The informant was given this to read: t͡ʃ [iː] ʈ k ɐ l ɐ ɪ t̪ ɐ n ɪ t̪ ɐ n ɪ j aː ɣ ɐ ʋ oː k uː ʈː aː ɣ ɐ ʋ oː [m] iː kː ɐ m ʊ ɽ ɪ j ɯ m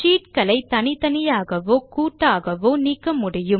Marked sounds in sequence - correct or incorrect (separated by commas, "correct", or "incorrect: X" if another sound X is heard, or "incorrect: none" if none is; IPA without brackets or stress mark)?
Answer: correct, incorrect: n